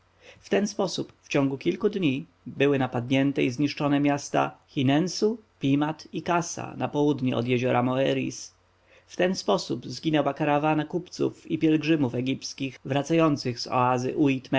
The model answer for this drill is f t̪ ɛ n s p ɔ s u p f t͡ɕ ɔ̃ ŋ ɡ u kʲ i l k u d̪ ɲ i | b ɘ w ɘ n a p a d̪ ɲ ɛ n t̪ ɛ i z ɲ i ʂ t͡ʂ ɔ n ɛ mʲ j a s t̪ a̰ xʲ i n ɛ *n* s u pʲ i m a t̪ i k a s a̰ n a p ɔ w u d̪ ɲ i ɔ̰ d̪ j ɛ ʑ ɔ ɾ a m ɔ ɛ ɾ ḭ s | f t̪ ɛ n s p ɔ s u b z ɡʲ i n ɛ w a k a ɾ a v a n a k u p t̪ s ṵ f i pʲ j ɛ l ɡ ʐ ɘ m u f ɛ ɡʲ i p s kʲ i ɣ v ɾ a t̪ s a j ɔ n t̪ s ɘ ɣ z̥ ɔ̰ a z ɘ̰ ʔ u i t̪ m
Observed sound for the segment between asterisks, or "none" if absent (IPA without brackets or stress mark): n